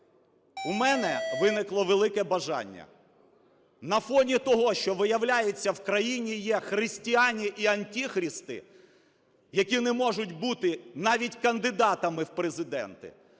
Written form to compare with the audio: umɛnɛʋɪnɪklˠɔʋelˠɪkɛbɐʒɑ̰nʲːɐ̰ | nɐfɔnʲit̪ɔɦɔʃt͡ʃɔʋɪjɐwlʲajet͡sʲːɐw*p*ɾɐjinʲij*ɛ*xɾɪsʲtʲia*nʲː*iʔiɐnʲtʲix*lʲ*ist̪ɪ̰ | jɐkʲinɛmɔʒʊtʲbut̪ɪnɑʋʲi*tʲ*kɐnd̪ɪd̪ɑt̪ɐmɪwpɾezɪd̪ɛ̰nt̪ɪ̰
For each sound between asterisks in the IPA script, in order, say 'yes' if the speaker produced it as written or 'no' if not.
no, yes, no, no, yes

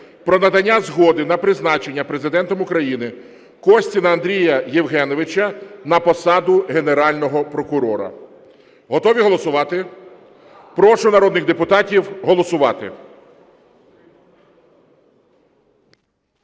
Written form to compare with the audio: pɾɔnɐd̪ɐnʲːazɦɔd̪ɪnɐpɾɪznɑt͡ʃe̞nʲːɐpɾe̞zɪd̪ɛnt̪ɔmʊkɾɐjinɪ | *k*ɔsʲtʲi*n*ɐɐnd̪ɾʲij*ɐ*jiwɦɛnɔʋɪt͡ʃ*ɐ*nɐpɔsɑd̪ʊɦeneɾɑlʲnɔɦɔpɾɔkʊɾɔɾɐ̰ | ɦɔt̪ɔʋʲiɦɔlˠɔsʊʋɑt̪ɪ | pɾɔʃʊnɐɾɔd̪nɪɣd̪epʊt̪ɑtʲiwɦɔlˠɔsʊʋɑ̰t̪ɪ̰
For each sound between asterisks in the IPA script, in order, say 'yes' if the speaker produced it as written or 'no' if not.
yes, yes, yes, yes

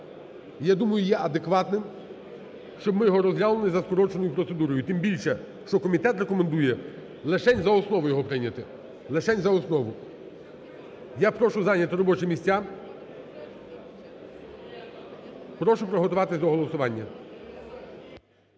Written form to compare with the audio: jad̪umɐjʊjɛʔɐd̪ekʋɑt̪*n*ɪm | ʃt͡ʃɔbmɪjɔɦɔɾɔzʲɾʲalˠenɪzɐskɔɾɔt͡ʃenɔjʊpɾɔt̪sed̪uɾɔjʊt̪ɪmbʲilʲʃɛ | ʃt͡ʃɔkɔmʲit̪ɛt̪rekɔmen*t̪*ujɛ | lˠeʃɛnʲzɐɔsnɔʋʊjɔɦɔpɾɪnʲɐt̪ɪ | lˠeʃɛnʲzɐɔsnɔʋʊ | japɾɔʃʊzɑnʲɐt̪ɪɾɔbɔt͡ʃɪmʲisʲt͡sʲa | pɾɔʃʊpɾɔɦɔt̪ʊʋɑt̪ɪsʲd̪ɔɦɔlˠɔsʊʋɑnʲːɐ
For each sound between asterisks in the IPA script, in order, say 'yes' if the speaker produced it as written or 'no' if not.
yes, no

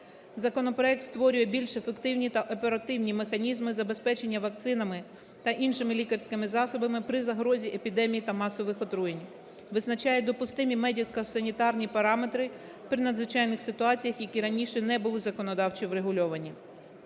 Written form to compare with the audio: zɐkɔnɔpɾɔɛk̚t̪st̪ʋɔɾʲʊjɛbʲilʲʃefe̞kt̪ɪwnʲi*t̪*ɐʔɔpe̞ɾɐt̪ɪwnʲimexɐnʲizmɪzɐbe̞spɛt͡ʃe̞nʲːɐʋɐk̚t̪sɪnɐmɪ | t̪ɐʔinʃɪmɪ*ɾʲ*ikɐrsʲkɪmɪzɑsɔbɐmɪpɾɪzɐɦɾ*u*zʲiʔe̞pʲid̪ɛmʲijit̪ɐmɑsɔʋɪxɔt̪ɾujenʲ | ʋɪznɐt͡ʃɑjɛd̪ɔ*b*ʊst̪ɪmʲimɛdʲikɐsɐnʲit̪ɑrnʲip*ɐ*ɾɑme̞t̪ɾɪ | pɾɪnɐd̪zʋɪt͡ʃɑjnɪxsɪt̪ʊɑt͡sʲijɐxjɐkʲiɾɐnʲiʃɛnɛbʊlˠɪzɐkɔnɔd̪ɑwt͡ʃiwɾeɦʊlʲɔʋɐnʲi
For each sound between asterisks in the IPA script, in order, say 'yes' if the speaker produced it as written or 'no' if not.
yes, no, no, no, yes

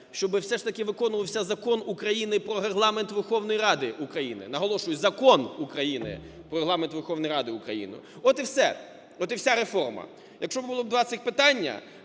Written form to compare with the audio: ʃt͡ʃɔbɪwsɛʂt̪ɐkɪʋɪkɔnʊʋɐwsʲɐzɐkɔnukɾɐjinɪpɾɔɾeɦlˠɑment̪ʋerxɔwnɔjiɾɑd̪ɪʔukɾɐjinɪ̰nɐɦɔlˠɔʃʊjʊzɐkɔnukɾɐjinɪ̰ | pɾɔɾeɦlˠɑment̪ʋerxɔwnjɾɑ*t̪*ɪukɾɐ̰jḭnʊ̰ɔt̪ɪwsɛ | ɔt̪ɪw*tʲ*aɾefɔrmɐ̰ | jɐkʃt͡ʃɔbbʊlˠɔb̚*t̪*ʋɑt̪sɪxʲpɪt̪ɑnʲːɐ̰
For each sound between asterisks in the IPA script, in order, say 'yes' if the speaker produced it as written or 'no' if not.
no, no, no

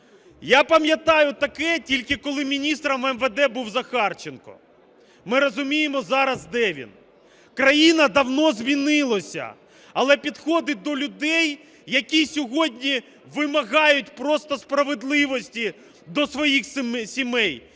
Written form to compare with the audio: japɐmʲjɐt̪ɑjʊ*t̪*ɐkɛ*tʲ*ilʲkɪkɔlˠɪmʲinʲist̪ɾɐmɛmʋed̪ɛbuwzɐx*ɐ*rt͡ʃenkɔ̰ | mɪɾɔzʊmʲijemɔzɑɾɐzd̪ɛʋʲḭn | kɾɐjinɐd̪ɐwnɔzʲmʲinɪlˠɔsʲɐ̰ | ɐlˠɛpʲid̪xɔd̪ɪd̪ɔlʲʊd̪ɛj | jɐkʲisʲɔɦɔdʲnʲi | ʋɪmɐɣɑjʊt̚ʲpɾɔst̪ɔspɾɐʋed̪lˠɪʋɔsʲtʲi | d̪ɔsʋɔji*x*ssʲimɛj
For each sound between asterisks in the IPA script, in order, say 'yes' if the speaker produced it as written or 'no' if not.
yes, yes, no, yes

